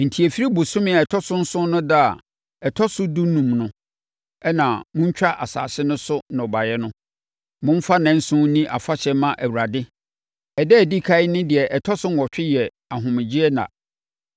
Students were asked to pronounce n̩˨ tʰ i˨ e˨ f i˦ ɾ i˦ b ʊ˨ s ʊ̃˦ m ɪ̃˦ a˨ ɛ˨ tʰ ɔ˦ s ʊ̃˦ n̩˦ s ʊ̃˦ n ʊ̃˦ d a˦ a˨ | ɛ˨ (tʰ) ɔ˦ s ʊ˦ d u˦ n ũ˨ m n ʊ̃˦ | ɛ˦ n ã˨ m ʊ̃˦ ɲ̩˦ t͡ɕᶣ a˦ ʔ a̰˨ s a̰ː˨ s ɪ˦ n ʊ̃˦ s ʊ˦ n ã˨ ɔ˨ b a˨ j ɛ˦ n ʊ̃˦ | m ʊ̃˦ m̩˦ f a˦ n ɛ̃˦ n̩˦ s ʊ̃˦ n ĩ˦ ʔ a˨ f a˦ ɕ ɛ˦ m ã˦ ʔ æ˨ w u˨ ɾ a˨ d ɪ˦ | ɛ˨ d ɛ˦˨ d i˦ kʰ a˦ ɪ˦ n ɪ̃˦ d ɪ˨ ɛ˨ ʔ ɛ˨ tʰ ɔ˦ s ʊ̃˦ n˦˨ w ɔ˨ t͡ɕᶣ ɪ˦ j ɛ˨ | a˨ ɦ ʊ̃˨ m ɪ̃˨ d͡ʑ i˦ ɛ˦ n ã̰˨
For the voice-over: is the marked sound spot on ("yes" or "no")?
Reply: yes